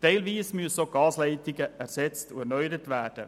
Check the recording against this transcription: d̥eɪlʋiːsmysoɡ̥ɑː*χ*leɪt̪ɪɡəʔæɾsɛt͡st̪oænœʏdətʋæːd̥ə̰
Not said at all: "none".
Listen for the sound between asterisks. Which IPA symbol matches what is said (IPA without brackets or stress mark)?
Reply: s